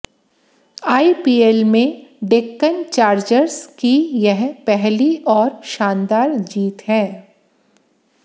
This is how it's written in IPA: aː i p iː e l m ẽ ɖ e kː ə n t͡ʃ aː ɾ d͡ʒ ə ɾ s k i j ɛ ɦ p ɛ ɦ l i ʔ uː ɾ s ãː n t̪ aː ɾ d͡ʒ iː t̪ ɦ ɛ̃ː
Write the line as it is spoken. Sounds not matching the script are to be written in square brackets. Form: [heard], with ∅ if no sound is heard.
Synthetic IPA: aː i p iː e l m ẽ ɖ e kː ə n t͡ʃ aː ɾ d͡ʒ ə ɾ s k i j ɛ ɦ p ɛ ɦ l i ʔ [ɔː] ɾ [ʃ] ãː n [d̪] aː ɾ d͡ʒ iː t̪ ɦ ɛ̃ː